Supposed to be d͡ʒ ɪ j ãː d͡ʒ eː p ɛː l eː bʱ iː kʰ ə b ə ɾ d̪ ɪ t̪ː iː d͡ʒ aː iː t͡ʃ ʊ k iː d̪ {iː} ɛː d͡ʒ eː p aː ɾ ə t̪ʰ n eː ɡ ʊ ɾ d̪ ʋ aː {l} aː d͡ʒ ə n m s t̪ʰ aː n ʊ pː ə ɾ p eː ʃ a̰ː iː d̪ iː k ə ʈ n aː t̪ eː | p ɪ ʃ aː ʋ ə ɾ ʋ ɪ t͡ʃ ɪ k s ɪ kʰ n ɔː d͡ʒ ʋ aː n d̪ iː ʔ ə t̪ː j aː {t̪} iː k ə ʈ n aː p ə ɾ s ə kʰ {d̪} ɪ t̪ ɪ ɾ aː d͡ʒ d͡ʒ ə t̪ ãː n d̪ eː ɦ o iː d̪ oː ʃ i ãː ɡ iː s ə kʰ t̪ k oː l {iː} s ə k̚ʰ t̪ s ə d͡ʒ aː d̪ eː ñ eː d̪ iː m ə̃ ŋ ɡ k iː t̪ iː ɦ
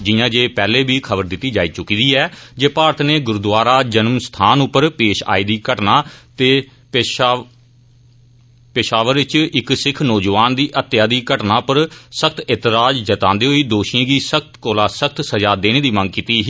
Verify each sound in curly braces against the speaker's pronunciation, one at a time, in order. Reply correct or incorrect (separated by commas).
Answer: correct, incorrect, incorrect, incorrect, incorrect